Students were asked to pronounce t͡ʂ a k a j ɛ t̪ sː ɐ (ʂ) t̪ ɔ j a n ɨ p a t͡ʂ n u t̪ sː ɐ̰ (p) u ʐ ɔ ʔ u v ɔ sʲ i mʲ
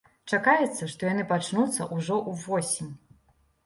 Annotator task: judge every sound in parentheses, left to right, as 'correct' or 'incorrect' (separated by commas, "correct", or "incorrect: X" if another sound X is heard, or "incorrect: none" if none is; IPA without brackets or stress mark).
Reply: correct, incorrect: ʔ